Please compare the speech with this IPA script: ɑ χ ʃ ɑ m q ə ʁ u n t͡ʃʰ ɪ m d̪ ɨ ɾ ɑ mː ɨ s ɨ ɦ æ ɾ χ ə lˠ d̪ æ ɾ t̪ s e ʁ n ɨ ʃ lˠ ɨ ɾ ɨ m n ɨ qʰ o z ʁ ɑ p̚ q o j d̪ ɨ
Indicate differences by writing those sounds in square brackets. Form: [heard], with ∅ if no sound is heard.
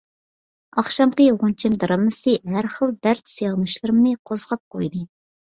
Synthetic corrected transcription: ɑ χ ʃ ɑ m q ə ʁ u n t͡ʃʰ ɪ m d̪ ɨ ɾ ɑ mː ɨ s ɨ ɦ æ ɾ χ ə lˠ d̪ æ ɾ t̪ s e ʁ n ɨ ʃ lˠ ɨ ɾ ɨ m n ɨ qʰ o z ʁ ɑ p̚ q o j d̪ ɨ

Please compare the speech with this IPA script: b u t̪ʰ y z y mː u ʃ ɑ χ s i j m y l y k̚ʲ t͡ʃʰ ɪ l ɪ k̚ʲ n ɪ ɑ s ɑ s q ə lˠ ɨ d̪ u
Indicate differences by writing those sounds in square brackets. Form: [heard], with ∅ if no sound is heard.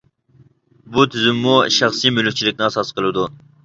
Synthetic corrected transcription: b u t̪ʰ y z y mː u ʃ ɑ χ s i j m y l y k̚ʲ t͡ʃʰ [i] l ɪ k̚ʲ n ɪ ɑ s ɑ s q ə lˠ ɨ d̪ u

